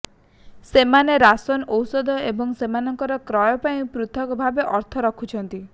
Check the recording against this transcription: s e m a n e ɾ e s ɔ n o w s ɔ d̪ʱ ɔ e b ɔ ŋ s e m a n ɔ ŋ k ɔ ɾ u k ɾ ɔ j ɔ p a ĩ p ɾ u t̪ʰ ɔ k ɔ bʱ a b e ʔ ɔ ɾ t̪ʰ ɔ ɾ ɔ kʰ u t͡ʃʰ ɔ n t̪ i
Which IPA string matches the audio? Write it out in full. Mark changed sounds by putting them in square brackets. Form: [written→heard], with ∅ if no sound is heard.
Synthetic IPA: s e m a n e ɾ [e→a] s ɔ n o w s ɔ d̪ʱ ɔ e b ɔ ŋ s e m a n ɔ ŋ k ɔ ɾ [u→ɔ] k ɾ ɔ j ɔ p a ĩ p ɾ u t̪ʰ ɔ k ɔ bʱ a b e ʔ ɔ ɾ t̪ʰ ɔ ɾ ɔ kʰ u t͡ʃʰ ɔ n t̪ i